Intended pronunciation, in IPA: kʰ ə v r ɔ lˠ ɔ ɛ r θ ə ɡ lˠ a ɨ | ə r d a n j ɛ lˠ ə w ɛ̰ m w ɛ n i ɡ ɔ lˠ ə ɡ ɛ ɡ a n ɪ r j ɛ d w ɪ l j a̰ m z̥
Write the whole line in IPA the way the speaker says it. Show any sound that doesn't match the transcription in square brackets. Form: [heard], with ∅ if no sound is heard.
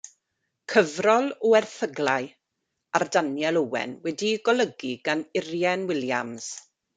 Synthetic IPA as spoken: kʰ ə v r ɔ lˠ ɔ ɛ r θ ə ɡ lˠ a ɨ | [a] r d a n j ɛ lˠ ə w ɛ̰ [n] w ɛ [d] i ɡ ɔ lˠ ə ɡ [i] ɡ a n ɪ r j ɛ [n] w ɪ l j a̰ m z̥